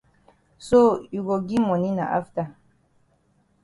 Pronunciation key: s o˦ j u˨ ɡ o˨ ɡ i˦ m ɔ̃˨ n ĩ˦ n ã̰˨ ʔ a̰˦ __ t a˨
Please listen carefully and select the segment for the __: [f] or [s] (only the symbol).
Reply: f